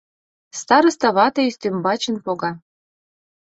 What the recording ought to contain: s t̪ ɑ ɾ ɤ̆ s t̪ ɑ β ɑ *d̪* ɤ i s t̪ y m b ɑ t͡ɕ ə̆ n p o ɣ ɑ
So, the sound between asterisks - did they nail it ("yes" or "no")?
no